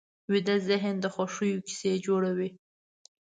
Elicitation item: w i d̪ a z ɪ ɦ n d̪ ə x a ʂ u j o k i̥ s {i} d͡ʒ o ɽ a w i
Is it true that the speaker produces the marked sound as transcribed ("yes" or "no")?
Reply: no